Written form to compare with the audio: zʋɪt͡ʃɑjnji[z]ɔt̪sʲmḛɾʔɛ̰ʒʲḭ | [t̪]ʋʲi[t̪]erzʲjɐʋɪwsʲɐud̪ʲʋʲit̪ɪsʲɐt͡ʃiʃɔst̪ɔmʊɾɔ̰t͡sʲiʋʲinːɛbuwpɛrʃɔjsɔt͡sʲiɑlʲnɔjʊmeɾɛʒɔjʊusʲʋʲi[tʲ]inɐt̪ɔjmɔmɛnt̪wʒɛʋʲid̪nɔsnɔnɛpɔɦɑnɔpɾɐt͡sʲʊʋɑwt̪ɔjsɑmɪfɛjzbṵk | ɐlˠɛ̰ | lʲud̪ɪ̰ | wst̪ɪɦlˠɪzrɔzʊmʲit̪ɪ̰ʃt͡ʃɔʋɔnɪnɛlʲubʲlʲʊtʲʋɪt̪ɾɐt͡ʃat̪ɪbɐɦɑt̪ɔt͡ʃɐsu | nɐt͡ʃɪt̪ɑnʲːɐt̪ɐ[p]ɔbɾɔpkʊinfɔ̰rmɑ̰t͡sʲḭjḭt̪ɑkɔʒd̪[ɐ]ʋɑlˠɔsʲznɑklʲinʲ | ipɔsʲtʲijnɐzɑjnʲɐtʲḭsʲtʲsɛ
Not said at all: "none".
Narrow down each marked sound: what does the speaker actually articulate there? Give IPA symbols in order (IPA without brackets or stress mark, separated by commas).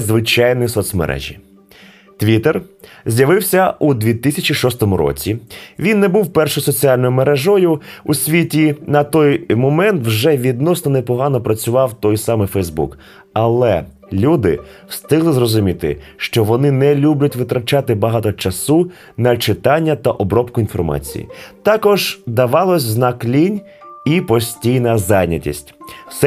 s, t̪, t̪, tʲ, ʔ, ɐ